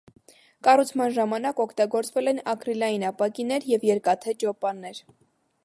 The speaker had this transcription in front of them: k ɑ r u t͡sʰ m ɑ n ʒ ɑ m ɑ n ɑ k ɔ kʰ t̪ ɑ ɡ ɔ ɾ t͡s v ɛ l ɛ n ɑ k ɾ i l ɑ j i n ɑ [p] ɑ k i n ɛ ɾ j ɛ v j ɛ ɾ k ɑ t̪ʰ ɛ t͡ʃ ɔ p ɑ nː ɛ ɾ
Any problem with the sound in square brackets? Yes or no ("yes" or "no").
no